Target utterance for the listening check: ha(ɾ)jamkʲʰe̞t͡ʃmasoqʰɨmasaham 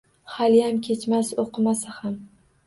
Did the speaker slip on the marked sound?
yes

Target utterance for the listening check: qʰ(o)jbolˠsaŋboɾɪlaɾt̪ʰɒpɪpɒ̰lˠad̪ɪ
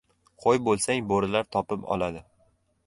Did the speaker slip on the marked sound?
no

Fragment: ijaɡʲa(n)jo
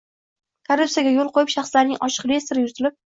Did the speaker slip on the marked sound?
yes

